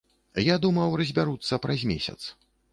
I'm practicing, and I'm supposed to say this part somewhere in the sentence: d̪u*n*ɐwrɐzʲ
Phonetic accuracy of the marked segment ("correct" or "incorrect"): incorrect